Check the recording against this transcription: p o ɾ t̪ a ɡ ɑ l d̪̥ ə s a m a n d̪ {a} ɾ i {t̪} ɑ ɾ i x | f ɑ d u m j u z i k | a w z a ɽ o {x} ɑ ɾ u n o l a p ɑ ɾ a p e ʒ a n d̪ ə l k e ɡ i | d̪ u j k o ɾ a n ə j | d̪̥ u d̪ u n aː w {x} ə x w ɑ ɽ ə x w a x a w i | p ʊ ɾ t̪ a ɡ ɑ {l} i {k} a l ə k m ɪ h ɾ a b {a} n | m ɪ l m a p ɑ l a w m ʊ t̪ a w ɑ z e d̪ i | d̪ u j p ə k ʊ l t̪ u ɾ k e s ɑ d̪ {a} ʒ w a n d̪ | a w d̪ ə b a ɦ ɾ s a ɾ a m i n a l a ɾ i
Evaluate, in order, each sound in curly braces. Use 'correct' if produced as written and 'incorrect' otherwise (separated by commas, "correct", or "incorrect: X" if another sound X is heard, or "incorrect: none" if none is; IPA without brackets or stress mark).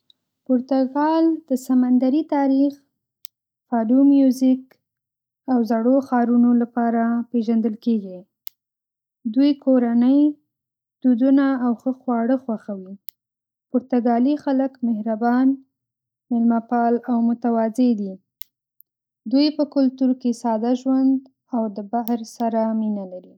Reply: correct, correct, correct, correct, correct, incorrect: x, incorrect: ɑ, correct